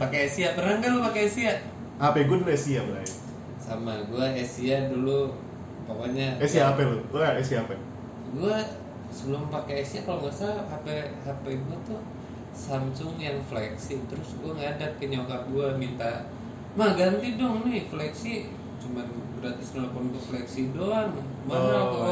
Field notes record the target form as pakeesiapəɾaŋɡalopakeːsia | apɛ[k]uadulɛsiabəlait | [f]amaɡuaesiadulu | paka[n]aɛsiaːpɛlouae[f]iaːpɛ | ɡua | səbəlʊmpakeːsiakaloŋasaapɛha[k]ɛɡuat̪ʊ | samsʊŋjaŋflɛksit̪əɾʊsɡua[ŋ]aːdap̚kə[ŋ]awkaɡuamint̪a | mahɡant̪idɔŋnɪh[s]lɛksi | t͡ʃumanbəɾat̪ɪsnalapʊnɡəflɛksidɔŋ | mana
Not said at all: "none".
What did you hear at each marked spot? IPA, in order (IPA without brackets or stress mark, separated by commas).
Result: ɡ, s, ɲ, s, p, ŋ, ɲ, f